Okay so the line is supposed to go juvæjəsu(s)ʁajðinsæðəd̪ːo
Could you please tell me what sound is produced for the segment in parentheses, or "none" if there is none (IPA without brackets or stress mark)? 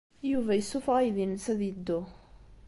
f